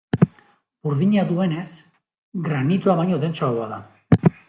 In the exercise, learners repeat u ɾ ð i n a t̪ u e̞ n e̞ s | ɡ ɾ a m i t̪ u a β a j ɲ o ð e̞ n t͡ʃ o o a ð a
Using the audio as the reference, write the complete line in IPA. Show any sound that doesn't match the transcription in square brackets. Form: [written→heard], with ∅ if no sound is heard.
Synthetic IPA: u ɾ ð i [n→ɲ] a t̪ u e̞ n e̞ s | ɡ ɾ a [m→n] i t̪ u a β a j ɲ o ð e̞ n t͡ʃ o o a ð a